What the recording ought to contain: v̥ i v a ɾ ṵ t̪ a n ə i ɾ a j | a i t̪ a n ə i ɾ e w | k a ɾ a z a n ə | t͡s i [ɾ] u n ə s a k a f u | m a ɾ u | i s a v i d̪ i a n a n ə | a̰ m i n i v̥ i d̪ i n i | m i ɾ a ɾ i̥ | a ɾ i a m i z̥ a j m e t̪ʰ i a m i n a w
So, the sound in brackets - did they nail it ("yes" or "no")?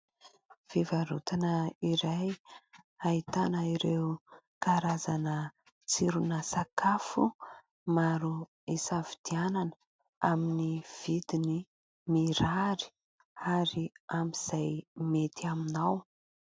yes